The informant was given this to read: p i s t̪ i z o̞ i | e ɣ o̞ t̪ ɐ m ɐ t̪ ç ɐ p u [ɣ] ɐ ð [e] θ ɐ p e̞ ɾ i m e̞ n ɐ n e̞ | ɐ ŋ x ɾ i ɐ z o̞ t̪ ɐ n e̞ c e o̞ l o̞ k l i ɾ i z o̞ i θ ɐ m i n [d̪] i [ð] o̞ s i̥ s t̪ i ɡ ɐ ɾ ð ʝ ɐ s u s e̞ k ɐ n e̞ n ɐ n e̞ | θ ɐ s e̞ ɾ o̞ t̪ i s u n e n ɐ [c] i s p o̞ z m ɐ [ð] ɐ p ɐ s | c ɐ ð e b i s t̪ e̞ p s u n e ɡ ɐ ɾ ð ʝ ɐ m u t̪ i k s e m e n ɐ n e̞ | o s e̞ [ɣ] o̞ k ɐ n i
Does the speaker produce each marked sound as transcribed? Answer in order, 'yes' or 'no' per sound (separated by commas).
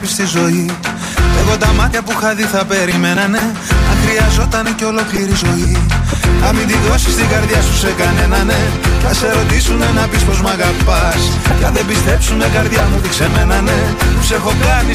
no, no, yes, yes, no, no, no